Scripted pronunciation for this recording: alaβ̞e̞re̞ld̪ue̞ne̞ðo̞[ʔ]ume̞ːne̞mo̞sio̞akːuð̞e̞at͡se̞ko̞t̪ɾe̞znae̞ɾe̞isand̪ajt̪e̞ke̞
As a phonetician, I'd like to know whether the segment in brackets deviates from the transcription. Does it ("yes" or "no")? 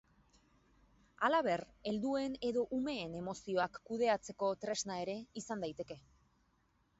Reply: no